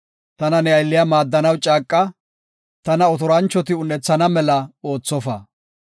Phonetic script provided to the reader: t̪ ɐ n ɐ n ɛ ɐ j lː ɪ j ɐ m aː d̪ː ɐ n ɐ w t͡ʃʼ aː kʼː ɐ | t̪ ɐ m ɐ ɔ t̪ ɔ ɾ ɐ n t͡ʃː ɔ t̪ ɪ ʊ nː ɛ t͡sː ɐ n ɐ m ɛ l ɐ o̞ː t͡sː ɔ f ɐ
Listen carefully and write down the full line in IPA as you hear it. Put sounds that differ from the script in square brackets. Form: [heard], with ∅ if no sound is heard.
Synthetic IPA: t̪ ɐ n ɐ n ɛ ɐ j lː ɪ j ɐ m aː d̪ː ɐ n ɐ w t͡ʃʼ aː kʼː ɐ | t̪ ɐ [n] ɐ ɔ t̪ ɔ ɾ ɐ n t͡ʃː ɔ t̪ ɪ ʊ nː ɛ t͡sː ɐ n ɐ m ɛ l ɐ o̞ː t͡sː ɔ f ɐ